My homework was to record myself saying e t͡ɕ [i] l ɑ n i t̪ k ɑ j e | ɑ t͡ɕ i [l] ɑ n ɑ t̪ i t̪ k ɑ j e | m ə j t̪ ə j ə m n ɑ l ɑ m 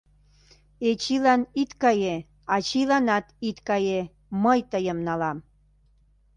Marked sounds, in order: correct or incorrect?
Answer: correct, correct

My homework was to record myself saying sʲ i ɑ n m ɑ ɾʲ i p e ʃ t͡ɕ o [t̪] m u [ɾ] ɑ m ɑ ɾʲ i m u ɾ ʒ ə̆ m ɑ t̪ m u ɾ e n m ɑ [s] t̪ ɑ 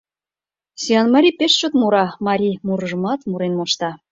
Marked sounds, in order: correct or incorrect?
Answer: correct, correct, incorrect: ʃ

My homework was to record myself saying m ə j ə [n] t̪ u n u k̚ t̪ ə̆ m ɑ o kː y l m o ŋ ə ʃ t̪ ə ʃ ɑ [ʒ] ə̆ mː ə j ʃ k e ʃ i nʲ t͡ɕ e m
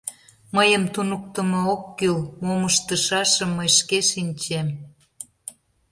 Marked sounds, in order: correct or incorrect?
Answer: incorrect: m, incorrect: ʃ

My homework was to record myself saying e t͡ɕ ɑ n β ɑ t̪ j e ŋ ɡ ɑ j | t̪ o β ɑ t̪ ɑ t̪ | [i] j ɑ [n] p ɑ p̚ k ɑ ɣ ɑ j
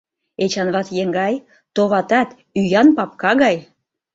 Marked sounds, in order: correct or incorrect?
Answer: incorrect: y, correct

